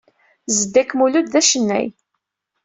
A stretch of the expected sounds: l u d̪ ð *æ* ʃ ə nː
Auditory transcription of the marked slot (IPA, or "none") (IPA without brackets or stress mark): æ